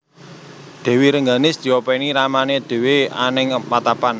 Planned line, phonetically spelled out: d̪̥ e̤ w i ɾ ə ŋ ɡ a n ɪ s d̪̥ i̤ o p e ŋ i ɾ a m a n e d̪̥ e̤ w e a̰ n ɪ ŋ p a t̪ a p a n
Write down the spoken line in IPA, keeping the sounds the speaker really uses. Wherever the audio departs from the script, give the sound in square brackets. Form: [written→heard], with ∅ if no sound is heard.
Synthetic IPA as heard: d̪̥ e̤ w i ɾ ə ŋ ɡ a n ɪ s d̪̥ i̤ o p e [ŋ→n] i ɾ a m a n e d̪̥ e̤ w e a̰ n ɪ ŋ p a t̪ a p a n